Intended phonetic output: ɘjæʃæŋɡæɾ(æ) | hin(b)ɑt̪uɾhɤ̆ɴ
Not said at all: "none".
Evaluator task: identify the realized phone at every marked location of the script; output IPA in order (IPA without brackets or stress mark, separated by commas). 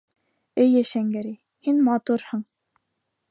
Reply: i, m